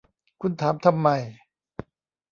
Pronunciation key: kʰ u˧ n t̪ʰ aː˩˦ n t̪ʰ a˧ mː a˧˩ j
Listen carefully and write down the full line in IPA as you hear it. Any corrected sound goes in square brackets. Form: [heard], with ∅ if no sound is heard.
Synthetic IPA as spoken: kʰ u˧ n t̪ʰ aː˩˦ [m] t̪ʰ a˧ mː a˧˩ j